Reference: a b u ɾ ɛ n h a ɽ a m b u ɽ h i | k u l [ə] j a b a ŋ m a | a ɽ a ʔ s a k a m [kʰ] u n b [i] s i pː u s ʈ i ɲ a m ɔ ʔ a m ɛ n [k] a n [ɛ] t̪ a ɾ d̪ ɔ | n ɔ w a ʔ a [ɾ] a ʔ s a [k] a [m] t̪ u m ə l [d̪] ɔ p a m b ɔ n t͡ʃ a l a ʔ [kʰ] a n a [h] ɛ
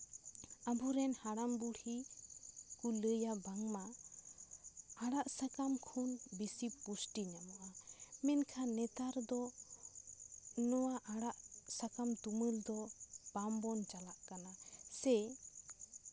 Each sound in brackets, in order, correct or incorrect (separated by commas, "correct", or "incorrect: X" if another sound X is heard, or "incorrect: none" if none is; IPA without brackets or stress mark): correct, correct, correct, incorrect: kʰ, correct, incorrect: ɽ, correct, correct, correct, incorrect: k, incorrect: s